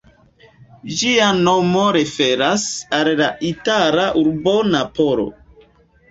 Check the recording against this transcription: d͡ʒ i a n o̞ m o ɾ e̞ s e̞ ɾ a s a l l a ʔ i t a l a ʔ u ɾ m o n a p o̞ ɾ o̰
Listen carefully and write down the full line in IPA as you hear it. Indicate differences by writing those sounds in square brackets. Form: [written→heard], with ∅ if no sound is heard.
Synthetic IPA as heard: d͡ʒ i a n o̞ m o ɾ e̞ [s→f] e̞ ɾ a s a l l a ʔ i t a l a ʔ u ɾ [m→b] o n a p o̞ ɾ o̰